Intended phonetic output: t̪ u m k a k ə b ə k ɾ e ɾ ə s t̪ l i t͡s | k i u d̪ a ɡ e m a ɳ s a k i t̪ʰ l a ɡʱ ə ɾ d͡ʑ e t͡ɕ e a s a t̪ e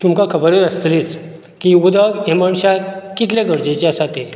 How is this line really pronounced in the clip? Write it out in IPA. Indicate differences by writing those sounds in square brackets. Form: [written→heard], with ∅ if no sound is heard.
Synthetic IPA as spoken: t̪ u m k a [k→kʰ] ə b ə [k→∅] ɾ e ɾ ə s t̪ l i t͡s | k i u d̪ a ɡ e m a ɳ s a k i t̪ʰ l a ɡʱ ə ɾ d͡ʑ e t͡ɕ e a s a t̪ e